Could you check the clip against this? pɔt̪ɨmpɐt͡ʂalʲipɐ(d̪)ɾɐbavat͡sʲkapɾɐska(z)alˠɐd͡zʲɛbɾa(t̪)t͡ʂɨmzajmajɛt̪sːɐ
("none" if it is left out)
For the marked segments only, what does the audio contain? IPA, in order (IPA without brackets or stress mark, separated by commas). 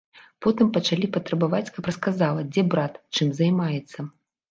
t̪, z, t̪